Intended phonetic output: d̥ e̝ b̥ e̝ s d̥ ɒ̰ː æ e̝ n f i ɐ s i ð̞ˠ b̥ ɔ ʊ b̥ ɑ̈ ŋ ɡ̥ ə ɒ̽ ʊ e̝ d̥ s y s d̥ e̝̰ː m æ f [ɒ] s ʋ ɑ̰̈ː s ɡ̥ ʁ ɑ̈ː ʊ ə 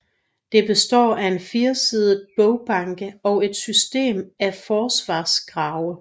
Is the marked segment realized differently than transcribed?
yes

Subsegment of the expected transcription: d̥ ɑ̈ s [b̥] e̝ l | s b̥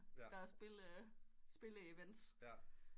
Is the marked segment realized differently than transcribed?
no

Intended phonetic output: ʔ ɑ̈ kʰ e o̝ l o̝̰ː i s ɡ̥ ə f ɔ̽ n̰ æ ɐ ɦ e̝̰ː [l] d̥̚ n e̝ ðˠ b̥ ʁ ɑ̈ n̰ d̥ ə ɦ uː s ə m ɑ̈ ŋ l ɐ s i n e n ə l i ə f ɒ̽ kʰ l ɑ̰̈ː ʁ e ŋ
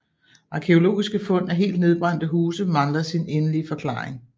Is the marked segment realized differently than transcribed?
no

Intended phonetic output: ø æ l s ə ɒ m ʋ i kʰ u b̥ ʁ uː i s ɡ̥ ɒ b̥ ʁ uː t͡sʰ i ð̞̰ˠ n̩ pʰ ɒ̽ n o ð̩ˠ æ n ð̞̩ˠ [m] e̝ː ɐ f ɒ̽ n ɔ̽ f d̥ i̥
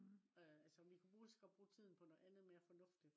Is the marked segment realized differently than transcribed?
no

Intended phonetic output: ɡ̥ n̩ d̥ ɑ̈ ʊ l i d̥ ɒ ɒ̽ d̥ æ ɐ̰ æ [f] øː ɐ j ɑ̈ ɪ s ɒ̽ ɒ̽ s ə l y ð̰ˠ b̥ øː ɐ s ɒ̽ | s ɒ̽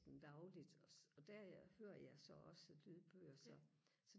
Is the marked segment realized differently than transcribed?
yes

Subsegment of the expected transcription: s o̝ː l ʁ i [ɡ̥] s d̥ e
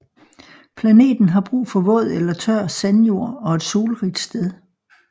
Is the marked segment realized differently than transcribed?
yes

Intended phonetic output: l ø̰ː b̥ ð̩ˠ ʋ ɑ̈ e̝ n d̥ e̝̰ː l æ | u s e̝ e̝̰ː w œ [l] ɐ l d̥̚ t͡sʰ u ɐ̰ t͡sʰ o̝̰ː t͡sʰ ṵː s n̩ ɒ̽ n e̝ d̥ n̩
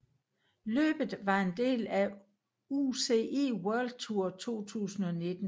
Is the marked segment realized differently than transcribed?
yes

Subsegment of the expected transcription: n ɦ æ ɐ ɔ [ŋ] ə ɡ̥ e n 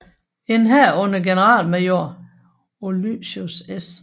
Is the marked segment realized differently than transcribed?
yes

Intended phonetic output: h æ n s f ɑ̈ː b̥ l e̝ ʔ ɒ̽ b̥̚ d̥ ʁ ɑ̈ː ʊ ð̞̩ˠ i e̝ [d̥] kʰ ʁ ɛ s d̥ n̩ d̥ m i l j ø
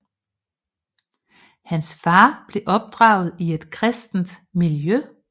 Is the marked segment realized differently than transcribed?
no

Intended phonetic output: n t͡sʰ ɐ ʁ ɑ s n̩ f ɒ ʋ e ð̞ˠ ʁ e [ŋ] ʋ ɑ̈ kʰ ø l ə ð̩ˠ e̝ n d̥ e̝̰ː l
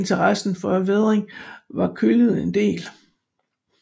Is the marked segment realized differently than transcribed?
no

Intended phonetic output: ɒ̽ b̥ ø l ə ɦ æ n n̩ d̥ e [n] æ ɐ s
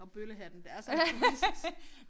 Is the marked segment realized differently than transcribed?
yes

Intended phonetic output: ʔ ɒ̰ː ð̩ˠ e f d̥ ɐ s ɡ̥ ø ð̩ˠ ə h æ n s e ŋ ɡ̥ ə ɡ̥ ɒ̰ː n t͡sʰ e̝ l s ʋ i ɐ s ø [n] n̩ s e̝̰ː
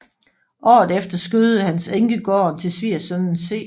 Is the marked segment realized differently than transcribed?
no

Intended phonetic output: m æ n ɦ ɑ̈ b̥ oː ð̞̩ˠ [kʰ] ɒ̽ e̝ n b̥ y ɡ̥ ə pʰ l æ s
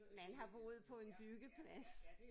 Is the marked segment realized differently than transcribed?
yes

